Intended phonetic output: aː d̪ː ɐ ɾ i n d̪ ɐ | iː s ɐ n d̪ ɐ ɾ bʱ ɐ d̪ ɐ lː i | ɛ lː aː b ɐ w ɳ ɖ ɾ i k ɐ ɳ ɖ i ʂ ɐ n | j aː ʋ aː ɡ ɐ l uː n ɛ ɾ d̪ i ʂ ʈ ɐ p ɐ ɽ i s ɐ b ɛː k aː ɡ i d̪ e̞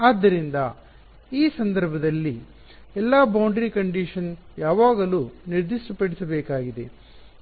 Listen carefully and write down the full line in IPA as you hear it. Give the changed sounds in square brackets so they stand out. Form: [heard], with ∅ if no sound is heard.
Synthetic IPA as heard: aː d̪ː ɐ ɾ i n d̪ ɐ | iː s ɐ n d̪ ɐ ɾ bʱ ɐ d̪ ɐ lː i | ɛ lː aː b ɐ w ɳ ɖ ɾ i k ɐ ɳ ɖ i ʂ ɐ n | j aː ʋ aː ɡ ɐ l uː n [i] ɾ d̪ i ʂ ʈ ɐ p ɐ ɽ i s ɐ b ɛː k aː ɡ i d̪ e̞